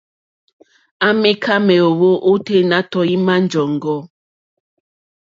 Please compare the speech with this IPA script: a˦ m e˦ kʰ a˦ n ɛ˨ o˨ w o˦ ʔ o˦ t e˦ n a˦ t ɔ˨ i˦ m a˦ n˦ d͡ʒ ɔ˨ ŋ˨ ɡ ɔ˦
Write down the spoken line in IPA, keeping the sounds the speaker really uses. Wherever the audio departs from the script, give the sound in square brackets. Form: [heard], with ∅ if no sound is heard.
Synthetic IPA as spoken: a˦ m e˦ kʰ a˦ [m] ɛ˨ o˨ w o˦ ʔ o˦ t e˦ n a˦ t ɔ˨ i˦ m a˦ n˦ d͡ʒ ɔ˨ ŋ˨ ɡ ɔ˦

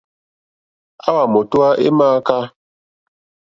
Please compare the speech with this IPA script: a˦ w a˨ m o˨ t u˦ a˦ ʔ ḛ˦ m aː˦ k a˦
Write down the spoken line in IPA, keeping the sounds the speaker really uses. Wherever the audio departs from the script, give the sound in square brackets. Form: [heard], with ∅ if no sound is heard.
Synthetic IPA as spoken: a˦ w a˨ m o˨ t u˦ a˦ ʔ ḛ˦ m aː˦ k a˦

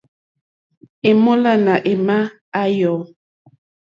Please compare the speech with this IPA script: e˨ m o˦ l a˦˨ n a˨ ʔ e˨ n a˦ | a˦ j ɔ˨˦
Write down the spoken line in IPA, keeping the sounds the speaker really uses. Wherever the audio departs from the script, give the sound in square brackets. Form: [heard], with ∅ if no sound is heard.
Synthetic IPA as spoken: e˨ m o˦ l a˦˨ n a˨ ʔ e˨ [m] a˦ | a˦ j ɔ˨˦

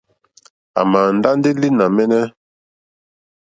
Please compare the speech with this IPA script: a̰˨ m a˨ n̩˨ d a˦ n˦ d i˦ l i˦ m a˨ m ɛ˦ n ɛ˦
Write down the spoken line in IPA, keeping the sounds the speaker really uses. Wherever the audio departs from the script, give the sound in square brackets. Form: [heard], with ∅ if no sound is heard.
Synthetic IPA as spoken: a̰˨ m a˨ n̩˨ d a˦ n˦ d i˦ l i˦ [n] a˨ m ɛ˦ n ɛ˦

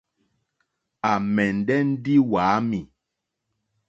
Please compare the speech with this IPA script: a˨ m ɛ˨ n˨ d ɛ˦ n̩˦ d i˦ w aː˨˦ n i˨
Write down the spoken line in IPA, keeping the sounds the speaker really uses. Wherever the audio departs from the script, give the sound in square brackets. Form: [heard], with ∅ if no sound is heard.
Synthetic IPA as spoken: a˨ m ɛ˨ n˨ d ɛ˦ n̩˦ d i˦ w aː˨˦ [m] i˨

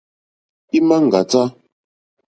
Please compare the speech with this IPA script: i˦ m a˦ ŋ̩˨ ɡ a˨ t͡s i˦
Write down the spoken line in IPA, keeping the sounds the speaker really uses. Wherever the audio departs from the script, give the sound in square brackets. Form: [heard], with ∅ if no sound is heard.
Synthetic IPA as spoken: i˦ m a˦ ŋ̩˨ ɡ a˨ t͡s [a˦]

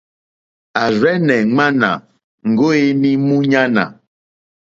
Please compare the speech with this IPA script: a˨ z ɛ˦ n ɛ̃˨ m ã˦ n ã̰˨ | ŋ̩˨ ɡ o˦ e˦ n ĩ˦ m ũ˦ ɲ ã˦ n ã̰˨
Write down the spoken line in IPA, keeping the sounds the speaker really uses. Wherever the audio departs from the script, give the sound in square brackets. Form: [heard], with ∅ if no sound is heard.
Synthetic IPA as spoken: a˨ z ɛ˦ n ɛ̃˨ [ŋ͡m] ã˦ n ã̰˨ | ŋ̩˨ ɡ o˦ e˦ n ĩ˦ m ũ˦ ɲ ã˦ n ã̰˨

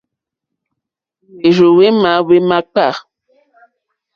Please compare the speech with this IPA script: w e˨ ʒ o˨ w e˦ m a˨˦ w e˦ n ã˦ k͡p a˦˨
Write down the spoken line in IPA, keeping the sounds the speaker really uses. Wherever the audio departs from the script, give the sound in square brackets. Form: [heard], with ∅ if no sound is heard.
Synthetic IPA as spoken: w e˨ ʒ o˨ w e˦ m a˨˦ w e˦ [m] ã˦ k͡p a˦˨

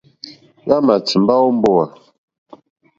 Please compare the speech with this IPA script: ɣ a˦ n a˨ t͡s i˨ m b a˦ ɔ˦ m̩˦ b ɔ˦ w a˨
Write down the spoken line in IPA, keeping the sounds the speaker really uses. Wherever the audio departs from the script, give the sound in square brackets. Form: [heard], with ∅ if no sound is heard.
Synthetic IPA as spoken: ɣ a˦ [m] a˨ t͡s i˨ m b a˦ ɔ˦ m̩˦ b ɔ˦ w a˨

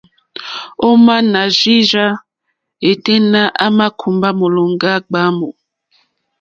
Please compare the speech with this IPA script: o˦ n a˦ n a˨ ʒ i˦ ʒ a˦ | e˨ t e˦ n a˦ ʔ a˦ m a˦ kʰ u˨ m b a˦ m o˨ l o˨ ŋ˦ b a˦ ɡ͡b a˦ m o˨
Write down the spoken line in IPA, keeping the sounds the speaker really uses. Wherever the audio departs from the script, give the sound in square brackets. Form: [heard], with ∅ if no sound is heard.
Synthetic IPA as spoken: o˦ [m] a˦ n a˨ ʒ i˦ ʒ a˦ | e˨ t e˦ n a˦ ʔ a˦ m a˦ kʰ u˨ m b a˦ m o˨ l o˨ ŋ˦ [ɡ] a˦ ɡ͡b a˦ m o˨

